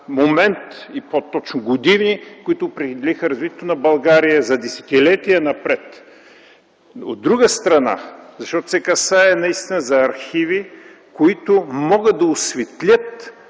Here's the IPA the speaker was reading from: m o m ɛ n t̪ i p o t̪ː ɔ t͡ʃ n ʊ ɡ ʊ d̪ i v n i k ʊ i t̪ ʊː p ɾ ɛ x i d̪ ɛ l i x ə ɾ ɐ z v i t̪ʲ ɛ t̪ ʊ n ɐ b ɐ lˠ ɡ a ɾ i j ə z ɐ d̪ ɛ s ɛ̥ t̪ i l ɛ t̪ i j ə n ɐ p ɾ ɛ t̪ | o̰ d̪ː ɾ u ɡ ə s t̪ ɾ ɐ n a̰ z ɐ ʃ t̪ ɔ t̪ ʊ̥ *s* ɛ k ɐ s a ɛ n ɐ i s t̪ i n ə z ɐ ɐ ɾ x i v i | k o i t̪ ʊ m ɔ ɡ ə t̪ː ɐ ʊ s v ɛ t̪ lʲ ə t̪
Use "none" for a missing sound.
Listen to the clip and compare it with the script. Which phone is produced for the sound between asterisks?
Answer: s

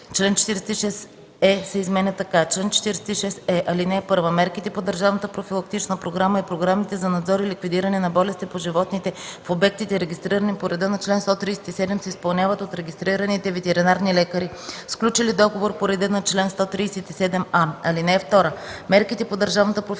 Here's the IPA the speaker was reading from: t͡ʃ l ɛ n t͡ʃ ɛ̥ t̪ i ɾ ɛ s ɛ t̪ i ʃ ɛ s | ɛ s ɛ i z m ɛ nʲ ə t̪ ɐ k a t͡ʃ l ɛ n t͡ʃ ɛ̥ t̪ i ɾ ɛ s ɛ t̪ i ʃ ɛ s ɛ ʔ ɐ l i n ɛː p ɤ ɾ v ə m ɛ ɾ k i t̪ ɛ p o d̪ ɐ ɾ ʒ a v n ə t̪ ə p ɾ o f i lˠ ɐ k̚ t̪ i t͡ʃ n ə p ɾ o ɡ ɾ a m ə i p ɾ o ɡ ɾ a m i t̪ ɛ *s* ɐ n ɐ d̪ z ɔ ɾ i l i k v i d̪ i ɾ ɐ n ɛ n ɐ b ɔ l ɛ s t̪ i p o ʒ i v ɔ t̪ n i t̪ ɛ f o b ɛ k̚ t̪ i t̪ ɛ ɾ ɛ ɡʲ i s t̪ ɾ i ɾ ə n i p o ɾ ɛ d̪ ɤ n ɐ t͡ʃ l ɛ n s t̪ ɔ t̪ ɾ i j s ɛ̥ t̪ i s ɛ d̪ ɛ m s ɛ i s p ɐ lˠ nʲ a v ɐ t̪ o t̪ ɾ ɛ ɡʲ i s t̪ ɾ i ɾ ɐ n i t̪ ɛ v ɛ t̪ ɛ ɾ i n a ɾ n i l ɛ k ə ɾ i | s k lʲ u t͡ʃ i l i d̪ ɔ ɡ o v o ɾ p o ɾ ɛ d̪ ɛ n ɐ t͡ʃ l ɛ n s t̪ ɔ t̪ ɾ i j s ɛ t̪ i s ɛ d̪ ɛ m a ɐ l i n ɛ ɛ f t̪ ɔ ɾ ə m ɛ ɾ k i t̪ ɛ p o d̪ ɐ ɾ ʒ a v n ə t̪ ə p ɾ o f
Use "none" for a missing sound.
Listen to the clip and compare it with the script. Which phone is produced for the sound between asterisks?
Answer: z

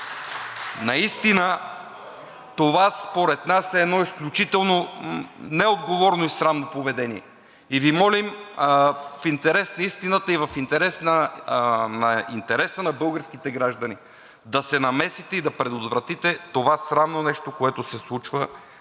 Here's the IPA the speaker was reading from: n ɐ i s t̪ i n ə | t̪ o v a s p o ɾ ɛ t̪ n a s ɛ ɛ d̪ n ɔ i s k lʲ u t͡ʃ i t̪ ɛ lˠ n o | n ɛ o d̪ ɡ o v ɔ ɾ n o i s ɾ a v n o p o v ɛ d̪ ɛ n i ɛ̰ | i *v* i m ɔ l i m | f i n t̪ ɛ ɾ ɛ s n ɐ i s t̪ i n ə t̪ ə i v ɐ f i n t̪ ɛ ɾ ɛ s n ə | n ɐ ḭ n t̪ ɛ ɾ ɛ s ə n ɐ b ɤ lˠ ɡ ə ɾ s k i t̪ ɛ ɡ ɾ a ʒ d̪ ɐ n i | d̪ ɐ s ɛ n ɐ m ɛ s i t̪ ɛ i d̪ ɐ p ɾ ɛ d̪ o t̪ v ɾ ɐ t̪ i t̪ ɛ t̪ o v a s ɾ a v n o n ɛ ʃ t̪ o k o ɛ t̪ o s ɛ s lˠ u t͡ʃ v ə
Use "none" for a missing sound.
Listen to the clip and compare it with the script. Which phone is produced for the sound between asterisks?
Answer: v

